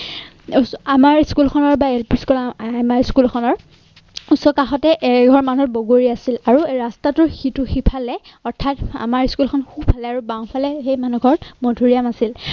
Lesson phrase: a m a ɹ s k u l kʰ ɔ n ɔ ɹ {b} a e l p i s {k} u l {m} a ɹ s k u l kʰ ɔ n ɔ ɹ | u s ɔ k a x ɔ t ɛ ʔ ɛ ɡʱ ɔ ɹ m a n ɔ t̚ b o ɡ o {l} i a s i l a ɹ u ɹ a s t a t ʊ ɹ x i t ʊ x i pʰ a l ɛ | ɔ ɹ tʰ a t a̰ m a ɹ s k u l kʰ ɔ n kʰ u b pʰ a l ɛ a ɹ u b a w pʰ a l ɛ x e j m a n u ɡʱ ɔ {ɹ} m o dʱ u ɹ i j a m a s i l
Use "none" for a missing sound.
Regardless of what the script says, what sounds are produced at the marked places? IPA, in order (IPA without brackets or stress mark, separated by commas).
b, k, m, ɹ, ɹ